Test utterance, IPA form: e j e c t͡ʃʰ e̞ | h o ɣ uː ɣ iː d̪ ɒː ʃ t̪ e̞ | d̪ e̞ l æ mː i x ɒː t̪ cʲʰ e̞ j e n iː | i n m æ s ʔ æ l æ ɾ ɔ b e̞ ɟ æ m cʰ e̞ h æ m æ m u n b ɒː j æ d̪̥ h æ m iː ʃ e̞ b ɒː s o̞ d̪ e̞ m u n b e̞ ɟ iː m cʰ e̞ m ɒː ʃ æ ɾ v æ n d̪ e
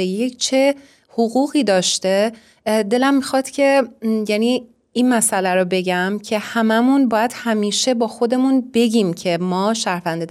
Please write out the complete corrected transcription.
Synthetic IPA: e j e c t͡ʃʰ e̞ | h o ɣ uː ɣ iː d̪ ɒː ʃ t̪ e̞ | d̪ e̞ l æ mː i x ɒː t̪ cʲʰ e̞ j æ n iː | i n m æ s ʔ æ l æ ɾ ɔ b e̞ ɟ æ m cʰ e̞ h æ m æ m u n b ɒː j æ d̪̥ h æ m iː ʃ e̞ b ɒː x o̞ d̪ e̞ m u n b e̞ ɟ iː m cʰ e̞ m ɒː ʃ æ ɾ v æ n d̪ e